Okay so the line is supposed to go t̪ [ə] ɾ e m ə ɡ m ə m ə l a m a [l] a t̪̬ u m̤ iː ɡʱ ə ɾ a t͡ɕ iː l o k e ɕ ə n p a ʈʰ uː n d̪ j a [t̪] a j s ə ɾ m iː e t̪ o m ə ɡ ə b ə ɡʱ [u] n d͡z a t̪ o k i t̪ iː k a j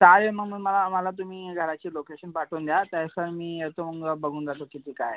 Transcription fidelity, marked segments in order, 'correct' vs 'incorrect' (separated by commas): incorrect, correct, correct, incorrect